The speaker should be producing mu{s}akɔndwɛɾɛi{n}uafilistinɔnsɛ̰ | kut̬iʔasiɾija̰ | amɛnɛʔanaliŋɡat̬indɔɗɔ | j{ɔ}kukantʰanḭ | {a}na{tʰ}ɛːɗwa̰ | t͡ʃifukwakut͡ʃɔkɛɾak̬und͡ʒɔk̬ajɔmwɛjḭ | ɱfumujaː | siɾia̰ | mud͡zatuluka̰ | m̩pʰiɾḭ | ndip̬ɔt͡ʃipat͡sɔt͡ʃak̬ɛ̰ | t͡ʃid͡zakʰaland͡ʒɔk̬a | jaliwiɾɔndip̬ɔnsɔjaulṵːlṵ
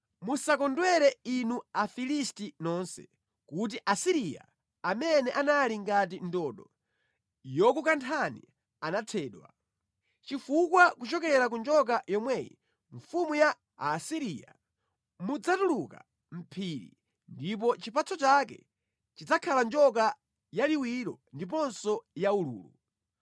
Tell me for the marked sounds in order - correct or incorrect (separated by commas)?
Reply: correct, correct, correct, correct, correct